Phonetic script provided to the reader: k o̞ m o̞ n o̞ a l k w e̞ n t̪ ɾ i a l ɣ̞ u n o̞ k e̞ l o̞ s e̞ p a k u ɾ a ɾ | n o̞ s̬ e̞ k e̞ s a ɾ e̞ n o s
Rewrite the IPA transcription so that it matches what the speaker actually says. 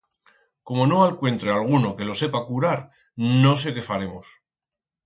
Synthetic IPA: k o̞ m o̞ n o̞ a l k w e̞ n t̪ ɾ e a l ɣ̞ u n o̞ k e̞ l o̞ s e̞ p a k u ɾ a ɾ | n o̞ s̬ e̞ k e̞ f a ɾ e̞ m o s